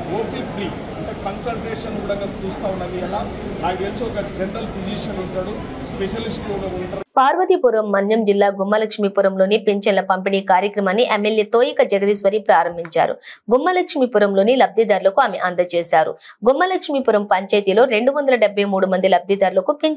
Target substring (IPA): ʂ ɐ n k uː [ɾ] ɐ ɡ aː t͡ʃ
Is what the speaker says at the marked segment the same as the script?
no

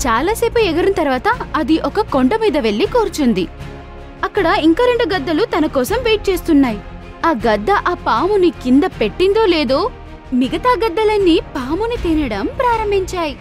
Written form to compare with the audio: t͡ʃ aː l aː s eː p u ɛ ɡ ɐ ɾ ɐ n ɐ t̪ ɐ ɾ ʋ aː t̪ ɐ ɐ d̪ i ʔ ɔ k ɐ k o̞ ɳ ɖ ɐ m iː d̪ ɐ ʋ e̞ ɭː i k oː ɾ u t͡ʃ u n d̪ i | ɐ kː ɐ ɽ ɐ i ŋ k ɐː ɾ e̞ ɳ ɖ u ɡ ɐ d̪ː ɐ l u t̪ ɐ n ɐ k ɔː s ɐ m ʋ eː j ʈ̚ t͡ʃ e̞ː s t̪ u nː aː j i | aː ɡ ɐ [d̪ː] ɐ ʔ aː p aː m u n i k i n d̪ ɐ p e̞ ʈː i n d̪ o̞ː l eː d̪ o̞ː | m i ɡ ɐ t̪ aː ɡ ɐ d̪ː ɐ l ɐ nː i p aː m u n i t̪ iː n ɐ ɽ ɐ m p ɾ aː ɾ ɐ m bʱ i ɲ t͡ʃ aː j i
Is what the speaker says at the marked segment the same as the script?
yes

